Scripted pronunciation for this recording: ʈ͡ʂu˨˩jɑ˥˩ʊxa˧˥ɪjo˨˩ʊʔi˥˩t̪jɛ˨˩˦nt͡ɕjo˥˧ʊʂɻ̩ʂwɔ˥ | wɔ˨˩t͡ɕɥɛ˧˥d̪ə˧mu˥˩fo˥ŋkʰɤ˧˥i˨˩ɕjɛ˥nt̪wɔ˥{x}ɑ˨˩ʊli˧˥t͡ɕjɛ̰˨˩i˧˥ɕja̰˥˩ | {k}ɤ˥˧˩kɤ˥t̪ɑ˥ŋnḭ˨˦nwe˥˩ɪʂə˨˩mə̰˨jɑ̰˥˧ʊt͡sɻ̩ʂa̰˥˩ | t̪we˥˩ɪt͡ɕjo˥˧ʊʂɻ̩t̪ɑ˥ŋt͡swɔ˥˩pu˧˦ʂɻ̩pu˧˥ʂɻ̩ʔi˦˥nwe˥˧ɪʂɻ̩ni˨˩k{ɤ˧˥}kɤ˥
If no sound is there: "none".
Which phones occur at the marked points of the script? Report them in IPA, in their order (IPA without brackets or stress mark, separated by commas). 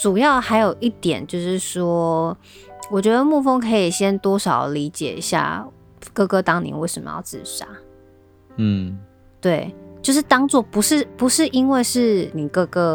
ʂ, k, ɤ˥˧